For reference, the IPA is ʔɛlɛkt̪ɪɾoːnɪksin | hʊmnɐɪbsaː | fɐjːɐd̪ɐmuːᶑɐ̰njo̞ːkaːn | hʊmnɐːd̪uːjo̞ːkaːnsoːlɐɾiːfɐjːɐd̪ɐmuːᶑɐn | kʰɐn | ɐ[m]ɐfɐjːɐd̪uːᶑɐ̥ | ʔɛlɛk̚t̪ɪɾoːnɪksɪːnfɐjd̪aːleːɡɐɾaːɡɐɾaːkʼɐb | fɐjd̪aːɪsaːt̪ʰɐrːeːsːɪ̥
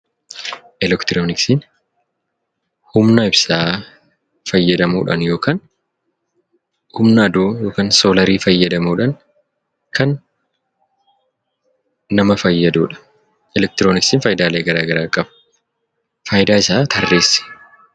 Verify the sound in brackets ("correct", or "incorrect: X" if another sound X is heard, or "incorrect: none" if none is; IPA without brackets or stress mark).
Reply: correct